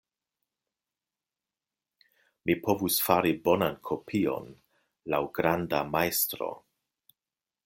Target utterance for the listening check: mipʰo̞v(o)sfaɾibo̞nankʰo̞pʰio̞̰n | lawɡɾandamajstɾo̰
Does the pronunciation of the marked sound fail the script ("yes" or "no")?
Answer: yes